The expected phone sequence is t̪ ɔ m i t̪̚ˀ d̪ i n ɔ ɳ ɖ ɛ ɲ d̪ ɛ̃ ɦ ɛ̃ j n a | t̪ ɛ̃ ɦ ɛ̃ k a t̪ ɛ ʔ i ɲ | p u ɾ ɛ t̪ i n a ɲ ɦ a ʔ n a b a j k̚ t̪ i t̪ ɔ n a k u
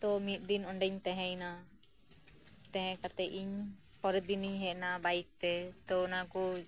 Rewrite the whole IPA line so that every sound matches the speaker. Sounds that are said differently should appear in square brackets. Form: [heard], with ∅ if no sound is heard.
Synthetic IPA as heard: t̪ ɔ m i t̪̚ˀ d̪ i n ɔ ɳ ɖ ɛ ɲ [t̪] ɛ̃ ɦ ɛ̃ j n a | t̪ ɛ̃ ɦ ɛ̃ k a t̪ ɛ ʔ i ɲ | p [ɔ] ɾ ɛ [d̪] i n [i] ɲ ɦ [ɛ] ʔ n a b a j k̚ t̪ [ɛ] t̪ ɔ n a k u